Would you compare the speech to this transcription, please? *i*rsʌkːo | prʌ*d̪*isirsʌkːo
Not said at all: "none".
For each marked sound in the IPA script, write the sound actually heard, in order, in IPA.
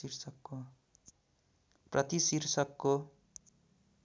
i, t̪

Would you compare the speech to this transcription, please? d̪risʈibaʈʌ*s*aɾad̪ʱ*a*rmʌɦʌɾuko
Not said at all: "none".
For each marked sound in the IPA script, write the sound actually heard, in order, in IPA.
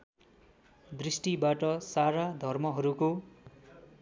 s, ʌ

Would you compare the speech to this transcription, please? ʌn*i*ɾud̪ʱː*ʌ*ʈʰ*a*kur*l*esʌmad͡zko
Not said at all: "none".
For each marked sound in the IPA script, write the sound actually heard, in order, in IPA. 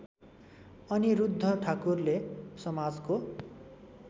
i, ʌ, a, l

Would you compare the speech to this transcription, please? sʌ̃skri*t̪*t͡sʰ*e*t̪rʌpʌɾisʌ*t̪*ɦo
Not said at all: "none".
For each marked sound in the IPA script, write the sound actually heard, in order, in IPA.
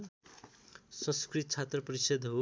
t̪, a, d̪

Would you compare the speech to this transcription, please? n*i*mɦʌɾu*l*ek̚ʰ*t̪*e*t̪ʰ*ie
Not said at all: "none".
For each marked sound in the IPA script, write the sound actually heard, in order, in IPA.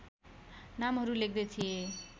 a, l, d̪, t̪ʰ

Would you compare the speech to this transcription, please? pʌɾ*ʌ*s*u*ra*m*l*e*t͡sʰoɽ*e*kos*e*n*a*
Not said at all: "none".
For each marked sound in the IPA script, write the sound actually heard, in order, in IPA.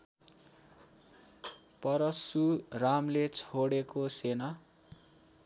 ʌ, u, m, e, e, e, a

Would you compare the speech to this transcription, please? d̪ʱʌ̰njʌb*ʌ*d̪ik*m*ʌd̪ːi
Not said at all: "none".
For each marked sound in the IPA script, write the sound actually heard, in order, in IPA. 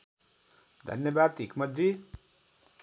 a, m

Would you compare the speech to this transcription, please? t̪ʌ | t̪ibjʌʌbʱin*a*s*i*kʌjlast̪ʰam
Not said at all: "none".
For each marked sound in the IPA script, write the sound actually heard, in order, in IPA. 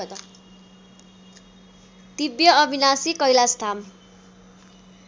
a, i

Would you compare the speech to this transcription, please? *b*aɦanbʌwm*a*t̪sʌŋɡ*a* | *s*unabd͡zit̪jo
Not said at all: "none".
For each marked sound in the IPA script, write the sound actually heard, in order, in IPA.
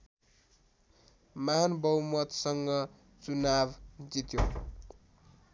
m, ʌ, ʌ, t͡s

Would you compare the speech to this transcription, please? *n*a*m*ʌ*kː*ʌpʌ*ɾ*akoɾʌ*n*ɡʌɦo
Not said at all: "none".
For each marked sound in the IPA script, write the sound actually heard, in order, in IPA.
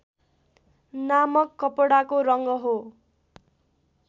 n, m, kː, ɽ, ŋ

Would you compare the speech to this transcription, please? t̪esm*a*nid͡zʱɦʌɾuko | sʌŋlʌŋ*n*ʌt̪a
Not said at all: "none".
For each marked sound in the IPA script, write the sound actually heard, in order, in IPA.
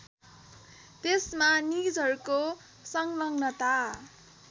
a, n

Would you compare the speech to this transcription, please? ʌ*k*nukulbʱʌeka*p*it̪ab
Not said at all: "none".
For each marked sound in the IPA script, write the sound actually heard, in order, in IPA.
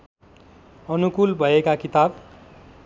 none, k

